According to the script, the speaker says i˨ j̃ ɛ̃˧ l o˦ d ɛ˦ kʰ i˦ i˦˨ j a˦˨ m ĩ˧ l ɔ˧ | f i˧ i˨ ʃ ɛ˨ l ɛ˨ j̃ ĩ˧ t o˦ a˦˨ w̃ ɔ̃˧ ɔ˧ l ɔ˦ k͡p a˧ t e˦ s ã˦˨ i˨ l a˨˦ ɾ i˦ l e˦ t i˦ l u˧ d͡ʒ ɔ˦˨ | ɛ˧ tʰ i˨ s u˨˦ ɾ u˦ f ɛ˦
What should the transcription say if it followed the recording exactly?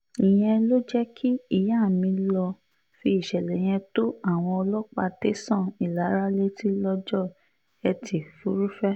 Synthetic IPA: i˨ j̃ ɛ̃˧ l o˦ d͡ʒ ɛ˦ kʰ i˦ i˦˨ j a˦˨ m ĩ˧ l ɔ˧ | f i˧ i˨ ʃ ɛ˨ l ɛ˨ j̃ ɛ̃˧ t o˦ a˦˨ w̃ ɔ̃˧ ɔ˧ l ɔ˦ k͡p a˧ t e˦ s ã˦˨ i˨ l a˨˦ ɾ a˦ l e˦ t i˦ l ɔ˧ d͡ʒ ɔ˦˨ | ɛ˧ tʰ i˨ f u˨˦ ɾ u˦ f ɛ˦

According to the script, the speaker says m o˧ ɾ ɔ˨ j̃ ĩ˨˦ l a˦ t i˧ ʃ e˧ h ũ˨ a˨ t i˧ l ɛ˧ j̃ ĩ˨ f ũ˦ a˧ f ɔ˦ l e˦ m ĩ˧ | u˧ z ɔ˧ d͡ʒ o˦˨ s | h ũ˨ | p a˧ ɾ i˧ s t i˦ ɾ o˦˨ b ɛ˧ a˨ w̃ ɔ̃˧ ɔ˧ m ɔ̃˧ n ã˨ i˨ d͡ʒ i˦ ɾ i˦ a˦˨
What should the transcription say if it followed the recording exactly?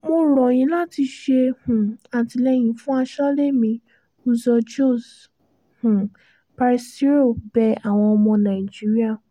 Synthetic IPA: m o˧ ɾ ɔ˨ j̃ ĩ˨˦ l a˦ t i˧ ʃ e˧ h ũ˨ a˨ t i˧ l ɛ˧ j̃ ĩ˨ f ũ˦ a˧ ʃ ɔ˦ l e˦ m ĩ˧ | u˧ z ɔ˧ d͡ʒ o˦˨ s | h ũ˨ | p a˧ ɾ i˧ s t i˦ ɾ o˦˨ b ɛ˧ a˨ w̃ ɔ̃˧ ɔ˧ m ɔ̃˧ n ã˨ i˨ d͡ʒ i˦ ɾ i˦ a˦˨

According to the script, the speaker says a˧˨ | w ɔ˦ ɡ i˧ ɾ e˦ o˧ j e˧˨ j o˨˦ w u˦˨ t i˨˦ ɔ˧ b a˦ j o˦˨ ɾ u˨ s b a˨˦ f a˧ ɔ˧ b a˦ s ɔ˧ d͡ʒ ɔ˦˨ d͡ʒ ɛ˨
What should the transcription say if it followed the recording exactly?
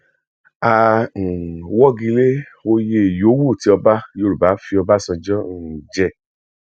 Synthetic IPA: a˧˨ | w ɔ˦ ɡ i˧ l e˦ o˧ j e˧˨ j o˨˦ w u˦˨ t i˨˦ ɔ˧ b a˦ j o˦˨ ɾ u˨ b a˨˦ f i˧ ɔ˧ b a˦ s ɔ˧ d͡ʒ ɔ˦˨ d͡ʒ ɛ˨

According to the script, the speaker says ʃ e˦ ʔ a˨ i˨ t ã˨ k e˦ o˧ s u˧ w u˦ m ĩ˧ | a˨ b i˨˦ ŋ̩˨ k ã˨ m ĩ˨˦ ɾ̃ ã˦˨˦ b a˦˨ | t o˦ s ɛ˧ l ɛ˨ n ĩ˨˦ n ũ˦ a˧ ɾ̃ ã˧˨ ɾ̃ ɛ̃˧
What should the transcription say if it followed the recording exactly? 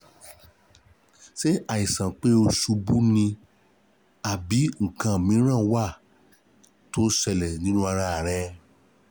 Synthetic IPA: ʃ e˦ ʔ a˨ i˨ s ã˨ k͡p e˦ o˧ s u˧ b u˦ n ĩ˧ | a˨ b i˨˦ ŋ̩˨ k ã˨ m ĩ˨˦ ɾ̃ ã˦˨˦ w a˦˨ | t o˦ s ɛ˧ l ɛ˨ n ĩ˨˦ n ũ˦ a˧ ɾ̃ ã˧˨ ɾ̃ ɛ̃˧

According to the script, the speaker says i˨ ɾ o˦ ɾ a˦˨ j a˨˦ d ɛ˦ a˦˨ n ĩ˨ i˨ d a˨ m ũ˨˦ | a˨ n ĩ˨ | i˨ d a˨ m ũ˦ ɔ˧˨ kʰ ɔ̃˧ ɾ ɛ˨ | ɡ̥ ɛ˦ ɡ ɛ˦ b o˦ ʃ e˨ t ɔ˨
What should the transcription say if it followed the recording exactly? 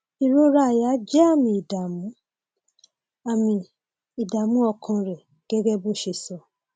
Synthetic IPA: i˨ ɾ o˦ ɾ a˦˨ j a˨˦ d͡ʒ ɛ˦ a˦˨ m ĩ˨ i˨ d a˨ m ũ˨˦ | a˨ m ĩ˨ | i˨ d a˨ m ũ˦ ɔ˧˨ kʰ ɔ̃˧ ɾ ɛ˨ | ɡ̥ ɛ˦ ɡ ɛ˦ b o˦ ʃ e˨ s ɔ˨

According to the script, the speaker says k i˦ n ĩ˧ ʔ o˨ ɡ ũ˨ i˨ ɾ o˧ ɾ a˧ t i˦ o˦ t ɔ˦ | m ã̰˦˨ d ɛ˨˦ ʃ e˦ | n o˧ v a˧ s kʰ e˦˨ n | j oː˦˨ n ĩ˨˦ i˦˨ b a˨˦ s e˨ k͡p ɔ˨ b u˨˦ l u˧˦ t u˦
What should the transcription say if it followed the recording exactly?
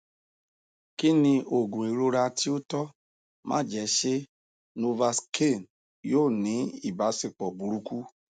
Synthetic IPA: k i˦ n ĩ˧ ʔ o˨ ɡ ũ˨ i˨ ɾ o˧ ɾ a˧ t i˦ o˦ t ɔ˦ | m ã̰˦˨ d͡ʒ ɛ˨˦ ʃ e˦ | n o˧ v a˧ s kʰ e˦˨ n | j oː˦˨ n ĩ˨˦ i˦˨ b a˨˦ s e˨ k͡p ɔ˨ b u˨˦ ɾ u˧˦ k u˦

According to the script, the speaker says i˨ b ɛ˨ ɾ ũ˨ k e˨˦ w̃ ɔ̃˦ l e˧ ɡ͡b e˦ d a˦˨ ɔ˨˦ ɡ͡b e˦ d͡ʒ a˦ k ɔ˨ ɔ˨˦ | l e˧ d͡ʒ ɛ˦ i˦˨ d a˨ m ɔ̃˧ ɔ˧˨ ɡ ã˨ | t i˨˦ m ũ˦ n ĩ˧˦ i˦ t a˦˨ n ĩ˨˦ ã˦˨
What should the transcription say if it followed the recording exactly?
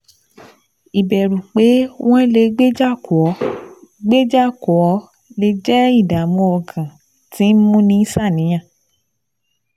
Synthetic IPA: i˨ b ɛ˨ ɾ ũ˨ k͡p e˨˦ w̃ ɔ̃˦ l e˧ ɡ͡b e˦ d͡ʒ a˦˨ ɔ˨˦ ɡ͡b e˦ d͡ʒ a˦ k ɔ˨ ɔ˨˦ | l e˧ d͡ʒ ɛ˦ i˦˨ d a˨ m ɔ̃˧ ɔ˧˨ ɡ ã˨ | t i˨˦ m ũ˦ n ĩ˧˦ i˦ s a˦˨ n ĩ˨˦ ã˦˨

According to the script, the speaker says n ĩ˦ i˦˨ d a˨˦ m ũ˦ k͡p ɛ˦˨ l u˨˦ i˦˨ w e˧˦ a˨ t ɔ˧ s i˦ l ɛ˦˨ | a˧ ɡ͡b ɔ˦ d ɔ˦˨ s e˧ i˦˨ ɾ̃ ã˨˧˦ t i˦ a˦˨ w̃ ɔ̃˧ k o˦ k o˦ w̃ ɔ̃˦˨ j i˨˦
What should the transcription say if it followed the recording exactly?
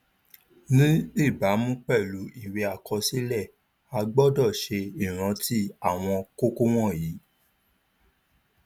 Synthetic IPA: n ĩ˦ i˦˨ b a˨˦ m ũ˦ k͡p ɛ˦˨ l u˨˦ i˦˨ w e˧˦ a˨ k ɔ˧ s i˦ l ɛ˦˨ | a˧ ɡ͡b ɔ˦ d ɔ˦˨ ʃ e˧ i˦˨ ɾ̃ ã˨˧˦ t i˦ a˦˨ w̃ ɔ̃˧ k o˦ k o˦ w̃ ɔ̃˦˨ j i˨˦

